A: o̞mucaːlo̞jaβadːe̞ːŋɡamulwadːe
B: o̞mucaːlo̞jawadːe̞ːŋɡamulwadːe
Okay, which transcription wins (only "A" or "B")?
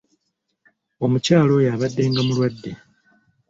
A